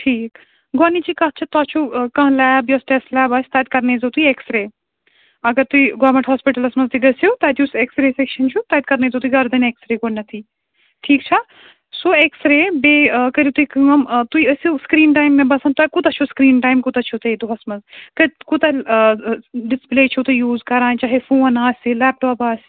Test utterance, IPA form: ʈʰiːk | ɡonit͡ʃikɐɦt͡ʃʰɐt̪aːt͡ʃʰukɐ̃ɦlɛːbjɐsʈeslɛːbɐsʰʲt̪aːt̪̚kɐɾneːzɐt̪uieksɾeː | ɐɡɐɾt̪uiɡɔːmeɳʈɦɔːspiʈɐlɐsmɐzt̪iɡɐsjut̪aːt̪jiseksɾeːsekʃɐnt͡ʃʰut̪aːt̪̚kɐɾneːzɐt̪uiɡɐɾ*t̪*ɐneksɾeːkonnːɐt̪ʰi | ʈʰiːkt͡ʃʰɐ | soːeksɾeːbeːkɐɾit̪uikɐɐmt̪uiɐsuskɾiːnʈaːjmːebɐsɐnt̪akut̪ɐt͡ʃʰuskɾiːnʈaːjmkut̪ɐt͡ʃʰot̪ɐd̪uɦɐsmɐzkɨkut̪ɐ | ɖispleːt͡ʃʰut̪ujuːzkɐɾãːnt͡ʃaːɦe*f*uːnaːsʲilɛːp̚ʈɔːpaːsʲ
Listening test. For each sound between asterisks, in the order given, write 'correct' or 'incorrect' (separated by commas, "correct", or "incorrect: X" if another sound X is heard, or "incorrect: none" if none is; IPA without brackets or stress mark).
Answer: incorrect: d̪, correct